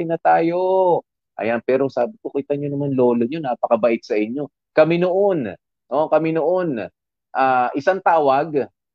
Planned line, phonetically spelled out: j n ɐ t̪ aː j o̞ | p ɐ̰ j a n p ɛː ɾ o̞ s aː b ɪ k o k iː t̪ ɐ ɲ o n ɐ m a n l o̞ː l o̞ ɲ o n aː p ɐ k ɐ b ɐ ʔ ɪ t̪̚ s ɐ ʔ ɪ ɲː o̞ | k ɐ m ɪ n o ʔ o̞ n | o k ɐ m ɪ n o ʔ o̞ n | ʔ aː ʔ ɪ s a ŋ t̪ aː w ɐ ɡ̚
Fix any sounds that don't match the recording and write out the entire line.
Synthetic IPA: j n ɐ t̪ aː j o̞ | ʔ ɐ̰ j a n p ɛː ɾ o̞ s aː b ɪ k o k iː t̪ ɐ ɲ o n ɐ m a n l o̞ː l o̞ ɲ o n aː p ɐ k ɐ b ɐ ʔ ɪ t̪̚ s ɐ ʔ ɪ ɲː o̞ | k ɐ m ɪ n o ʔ o̞ n | o k ɐ m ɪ n o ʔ o̞ n | ʔ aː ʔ ɪ s a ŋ t̪ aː w ɐ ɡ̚